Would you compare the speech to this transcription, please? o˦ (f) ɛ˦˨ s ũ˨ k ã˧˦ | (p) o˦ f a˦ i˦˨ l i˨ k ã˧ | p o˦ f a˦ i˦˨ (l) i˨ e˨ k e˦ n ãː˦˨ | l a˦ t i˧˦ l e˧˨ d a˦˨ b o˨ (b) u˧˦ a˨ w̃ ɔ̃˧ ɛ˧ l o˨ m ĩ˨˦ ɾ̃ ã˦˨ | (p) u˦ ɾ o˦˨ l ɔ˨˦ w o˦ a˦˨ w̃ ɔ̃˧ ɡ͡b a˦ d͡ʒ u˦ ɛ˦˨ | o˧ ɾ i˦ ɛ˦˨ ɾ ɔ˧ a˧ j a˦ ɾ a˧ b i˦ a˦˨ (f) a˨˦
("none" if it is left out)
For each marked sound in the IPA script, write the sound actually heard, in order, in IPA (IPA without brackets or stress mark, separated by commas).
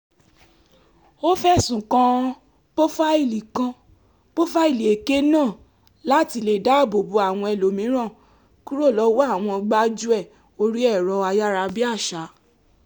f, p, l, b, k, ʃ